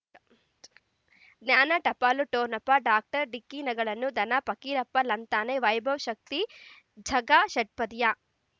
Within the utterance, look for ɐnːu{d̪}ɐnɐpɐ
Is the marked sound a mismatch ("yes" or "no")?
no